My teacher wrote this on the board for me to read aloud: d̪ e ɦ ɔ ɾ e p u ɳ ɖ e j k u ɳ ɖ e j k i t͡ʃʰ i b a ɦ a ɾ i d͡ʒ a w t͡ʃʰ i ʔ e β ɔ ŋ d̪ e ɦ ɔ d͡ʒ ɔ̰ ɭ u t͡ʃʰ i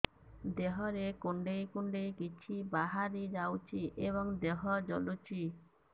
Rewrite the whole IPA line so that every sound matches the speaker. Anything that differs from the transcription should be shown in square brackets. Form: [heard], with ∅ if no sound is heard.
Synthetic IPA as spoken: d̪ e ɦ ɔ ɾ e [k] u ɳ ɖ e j k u ɳ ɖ e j k i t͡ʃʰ i b a ɦ a ɾ i d͡ʒ a w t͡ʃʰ i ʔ e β ɔ ŋ d̪ e ɦ ɔ d͡ʒ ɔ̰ [l] u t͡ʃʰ i